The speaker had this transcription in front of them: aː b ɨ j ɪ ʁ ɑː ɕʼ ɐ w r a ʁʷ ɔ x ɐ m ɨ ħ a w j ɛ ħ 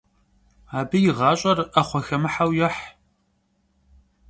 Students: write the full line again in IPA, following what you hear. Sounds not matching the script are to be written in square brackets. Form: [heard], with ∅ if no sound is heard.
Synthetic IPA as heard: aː b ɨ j ɪ ʁ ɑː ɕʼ ɐ [∅] r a [χʷ] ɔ x ɐ m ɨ ħ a w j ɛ ħ

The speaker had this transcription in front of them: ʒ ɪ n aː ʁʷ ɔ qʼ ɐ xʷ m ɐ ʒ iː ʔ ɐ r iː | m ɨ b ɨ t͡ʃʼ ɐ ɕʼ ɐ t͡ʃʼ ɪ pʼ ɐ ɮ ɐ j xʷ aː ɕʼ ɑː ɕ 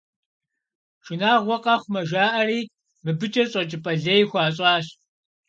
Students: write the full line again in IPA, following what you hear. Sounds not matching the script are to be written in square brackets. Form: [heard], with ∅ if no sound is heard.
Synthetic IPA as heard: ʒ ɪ n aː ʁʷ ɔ qʼ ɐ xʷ m ɐ ʒ [aː] ʔ ɐ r iː | m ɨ b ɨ t͡ʃʼ ɐ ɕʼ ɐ t͡ʃʼ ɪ pʼ ɐ ɮ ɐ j xʷ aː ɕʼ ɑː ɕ

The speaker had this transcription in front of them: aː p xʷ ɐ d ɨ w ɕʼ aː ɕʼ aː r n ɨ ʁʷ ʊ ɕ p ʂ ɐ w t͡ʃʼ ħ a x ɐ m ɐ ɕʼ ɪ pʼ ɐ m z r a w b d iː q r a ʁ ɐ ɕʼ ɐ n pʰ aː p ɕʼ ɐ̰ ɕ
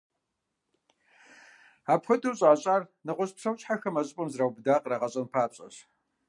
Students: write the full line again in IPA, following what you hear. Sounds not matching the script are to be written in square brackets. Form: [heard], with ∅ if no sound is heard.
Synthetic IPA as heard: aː p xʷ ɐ d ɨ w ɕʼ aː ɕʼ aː r n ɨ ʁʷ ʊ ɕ p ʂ ɐ w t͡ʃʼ ħ a x ɐ m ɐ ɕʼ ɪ pʼ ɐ m z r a w b d [aː] q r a ʁ ɐ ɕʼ ɐ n pʰ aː p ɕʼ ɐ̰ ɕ

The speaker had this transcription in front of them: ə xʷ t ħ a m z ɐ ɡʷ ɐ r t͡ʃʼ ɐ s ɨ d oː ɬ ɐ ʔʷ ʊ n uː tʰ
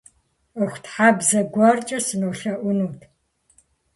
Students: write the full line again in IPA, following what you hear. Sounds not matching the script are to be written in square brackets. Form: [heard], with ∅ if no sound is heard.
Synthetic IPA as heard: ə xʷ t ħ a [b] z ɐ ɡʷ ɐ r t͡ʃʼ ɐ s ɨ [n] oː ɬ ɐ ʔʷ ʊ n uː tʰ

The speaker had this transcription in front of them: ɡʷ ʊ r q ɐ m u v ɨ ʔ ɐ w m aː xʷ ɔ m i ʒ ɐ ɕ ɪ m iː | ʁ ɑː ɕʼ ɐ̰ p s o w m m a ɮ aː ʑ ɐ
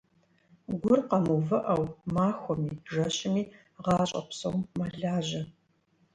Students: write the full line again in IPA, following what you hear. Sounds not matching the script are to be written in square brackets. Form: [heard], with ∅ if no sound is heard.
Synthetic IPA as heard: ɡʷ ʊ r q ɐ m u v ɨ ʔ ɐ w m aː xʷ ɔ m [iː] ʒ ɐ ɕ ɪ m iː | ʁ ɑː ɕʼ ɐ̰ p s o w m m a ɮ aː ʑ ɐ

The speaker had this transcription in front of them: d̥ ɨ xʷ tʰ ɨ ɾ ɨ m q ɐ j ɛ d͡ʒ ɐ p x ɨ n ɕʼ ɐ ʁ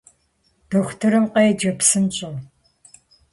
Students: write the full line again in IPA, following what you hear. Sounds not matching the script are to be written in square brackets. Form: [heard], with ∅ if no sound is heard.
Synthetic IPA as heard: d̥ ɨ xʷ tʰ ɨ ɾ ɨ m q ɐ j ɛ d͡ʒ ɐ p [s] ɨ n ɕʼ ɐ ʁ

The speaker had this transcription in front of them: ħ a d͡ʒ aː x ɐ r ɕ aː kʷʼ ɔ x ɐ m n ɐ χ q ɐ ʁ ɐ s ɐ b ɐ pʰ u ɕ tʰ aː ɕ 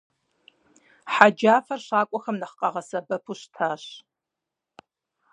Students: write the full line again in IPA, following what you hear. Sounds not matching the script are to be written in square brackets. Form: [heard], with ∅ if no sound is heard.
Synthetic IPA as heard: ħ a d͡ʒ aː [f] ɐ r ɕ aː kʷʼ ɔ x ɐ m n ɐ χ q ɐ ʁ ɐ s ɐ b ɐ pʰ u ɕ tʰ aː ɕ

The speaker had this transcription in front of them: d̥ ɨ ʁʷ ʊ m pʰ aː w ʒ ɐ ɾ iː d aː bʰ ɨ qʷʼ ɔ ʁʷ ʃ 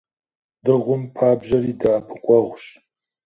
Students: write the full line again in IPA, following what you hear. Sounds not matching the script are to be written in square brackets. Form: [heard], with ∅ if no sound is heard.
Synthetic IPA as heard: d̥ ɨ ʁʷ ʊ m pʰ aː [b] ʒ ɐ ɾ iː d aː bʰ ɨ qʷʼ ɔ ʁʷ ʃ

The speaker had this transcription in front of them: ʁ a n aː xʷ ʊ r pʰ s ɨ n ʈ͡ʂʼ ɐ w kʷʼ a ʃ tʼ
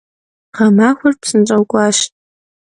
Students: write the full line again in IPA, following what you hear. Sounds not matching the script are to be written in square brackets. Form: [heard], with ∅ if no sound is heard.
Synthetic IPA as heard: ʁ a [m] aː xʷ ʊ r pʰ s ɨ n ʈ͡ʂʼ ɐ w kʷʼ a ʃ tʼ

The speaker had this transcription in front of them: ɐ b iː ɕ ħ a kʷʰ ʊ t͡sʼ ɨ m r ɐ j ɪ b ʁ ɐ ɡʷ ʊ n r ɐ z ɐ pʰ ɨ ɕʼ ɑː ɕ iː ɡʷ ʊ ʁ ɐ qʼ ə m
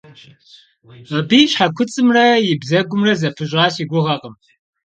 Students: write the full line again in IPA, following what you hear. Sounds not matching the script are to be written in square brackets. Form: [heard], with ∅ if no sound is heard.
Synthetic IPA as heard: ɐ b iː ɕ ħ a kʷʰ ʊ t͡sʼ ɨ m r ɐ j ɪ b [z] ɐ ɡʷ ʊ [m] r ɐ z ɐ pʰ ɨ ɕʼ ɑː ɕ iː ɡʷ ʊ ʁ ɐ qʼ ə m

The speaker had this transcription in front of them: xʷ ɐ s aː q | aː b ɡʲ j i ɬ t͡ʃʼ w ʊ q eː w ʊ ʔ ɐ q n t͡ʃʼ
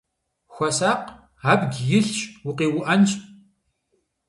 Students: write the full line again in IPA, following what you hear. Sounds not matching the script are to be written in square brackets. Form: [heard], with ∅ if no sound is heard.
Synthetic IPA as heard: xʷ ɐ s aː q | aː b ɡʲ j [ɪ] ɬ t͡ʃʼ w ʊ q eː w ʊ ʔ ɐ [∅] n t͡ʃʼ

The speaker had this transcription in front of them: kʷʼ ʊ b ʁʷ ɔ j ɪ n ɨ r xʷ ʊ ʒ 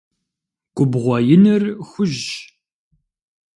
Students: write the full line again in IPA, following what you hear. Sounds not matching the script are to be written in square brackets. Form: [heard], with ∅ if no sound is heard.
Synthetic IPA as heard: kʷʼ ʊ b ʁʷ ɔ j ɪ n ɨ r xʷ ʊ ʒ

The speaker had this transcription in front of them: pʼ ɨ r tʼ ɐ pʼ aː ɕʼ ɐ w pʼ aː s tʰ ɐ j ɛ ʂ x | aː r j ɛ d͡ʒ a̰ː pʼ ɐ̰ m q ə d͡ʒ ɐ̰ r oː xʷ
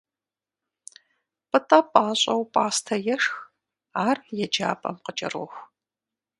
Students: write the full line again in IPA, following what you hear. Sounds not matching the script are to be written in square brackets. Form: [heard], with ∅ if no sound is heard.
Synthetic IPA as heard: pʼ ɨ [∅] tʼ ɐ pʼ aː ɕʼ ɐ w pʼ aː s tʰ ɐ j ɛ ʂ x | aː r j ɛ d͡ʒ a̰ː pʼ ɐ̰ m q ə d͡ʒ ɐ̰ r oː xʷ

